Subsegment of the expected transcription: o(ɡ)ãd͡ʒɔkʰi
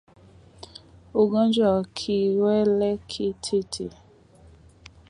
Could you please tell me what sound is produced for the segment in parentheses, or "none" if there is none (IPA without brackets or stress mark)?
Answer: ɡ